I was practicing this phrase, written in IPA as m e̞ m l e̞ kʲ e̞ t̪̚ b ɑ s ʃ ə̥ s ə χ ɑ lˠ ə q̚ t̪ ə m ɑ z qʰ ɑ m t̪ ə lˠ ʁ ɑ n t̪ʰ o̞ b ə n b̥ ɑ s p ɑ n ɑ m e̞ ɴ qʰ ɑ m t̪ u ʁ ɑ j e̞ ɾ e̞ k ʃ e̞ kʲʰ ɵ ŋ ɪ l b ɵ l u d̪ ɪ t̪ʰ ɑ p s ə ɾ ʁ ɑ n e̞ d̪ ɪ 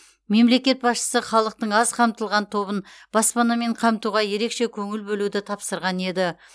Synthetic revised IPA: m e̞ m l e̞ kʲ e̞ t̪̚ b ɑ s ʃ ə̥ s ə χ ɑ lˠ ə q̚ t̪ ə ɴ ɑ z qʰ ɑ m t̪ ə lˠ ʁ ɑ n t̪ʰ o̞ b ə n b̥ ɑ s p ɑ n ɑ m e̞ ɴ qʰ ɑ m t̪ u ʁ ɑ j e̞ ɾ e̞ k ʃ e̞ kʲʰ ɵ ŋ ɪ l b ɵ l u d̪ ɪ t̪ʰ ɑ p s ə ɾ ʁ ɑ n e̞ d̪ ɪ